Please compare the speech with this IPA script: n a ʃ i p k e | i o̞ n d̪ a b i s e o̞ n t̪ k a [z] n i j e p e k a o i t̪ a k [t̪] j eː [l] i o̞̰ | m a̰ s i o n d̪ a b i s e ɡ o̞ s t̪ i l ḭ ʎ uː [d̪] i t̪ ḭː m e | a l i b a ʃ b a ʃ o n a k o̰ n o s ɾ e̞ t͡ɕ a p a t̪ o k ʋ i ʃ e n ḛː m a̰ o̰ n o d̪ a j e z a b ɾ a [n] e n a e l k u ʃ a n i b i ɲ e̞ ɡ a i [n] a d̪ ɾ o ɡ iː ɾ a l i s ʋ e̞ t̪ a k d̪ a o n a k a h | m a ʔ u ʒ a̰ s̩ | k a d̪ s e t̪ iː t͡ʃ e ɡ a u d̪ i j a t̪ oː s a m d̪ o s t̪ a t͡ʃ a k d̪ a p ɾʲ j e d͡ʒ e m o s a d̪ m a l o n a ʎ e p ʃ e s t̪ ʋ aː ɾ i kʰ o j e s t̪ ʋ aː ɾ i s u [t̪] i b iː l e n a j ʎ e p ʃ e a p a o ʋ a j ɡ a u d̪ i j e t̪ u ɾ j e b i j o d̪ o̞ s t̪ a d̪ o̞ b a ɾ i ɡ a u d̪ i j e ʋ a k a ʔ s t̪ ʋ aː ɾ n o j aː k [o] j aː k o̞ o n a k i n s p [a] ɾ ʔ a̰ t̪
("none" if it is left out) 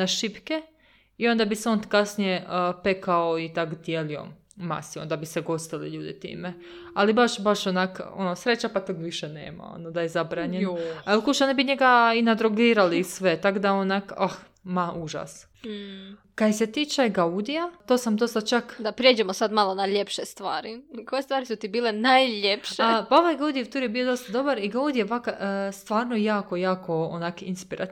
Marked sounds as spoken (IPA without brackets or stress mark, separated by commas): s, d̪, l, d̪, ɲ, n, t̪, o, i